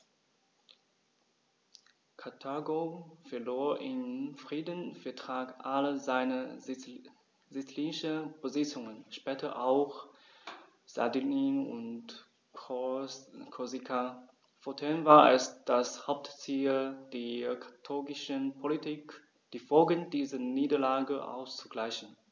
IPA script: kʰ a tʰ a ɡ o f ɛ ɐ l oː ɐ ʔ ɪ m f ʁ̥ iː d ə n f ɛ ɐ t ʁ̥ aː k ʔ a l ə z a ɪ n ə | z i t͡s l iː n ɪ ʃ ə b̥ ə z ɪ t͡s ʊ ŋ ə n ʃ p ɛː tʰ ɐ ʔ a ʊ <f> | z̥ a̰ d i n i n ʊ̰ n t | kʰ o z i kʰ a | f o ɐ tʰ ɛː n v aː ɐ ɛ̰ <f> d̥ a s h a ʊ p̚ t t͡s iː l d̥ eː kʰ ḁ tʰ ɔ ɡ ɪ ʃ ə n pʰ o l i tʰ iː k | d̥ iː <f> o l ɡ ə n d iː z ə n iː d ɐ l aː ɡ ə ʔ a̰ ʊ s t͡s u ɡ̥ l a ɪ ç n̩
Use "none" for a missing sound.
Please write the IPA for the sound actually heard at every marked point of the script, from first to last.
x, s, f

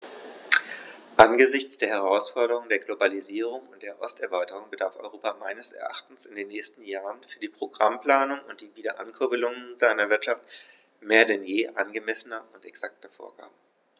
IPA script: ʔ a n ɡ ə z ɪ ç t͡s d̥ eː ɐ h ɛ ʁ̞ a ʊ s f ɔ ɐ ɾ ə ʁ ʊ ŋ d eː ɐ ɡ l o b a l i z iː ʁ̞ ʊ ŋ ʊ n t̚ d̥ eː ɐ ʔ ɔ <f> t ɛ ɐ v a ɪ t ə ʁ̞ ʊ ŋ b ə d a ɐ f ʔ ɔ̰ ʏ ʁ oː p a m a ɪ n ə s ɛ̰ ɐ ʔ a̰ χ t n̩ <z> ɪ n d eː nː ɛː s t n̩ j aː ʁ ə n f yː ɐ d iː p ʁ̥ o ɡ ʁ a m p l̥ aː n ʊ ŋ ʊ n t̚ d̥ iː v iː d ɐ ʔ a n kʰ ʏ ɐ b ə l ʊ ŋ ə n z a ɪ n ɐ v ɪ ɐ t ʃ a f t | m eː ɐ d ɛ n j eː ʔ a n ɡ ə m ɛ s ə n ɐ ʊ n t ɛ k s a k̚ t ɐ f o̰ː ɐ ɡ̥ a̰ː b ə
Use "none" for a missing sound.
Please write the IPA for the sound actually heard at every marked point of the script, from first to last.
s, s

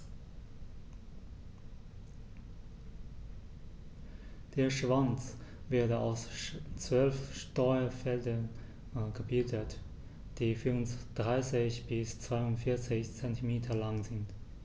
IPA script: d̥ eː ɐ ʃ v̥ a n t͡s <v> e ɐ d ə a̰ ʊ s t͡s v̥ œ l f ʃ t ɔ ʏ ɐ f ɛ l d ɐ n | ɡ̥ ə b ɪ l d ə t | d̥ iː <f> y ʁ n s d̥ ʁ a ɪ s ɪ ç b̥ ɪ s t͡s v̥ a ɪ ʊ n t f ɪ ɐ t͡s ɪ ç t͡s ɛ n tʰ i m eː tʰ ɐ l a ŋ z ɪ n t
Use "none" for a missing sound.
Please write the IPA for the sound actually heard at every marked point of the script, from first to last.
v, f

